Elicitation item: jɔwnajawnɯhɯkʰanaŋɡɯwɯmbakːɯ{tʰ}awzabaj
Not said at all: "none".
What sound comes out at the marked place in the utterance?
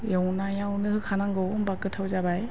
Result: tʰ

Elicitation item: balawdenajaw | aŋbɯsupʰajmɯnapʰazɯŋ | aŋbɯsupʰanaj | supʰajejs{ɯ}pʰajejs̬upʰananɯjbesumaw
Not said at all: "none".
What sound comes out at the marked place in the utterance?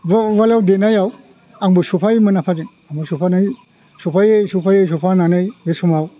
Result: u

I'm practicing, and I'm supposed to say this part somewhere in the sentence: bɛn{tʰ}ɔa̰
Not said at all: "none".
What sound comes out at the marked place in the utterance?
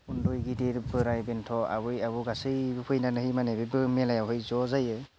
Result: tʰ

